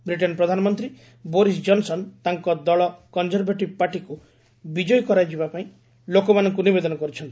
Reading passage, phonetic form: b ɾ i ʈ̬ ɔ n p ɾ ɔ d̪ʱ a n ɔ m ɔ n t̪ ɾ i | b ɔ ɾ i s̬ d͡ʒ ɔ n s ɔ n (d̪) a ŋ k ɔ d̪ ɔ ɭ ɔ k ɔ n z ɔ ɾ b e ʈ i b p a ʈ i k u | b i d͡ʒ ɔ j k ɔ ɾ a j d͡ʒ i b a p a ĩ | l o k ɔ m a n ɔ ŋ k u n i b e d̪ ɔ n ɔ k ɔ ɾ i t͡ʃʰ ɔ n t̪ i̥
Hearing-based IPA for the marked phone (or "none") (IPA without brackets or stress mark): t̪